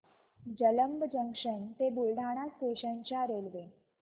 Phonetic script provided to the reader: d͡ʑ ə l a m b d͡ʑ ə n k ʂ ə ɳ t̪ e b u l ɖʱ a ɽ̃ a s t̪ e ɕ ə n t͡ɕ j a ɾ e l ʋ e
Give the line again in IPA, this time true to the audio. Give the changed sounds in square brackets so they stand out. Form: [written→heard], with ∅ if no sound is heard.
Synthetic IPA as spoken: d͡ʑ ə l [a→ə] m b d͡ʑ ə [n→ŋ] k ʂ ə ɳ t̪ e b u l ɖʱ a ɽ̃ a s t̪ e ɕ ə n t͡ɕ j a ɾ e l ʋ e